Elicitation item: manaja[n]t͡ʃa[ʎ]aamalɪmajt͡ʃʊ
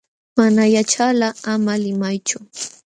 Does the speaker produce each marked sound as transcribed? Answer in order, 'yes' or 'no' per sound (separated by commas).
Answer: no, no